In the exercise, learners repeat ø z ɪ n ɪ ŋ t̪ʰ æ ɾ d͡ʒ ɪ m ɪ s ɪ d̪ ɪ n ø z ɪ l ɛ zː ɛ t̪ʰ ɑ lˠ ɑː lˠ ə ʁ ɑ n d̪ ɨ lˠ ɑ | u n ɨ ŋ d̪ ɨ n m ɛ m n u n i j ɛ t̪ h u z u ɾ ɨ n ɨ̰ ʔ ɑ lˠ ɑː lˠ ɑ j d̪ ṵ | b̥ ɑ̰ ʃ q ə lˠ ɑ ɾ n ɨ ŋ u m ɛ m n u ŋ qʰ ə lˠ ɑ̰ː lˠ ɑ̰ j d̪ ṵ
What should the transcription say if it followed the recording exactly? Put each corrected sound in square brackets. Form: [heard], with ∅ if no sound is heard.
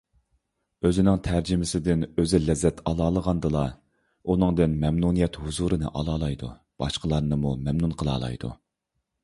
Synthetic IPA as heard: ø z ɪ n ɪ ŋ t̪ʰ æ ɾ d͡ʒ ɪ m ɪ s ɪ d̪ ɪ n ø z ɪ l ɛ zː ɛ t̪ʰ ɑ lˠ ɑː lˠ ə ʁ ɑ n d̪ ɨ lˠ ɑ | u n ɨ ŋ d̪ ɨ n m ɛ m n u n i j ɛ t̪ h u z u ɾ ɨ n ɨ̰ ʔ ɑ lˠ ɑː lˠ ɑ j d̪ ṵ | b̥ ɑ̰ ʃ q ə lˠ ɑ ɾ n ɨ [m] u m ɛ m n u [n] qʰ ə lˠ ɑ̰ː lˠ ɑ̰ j d̪ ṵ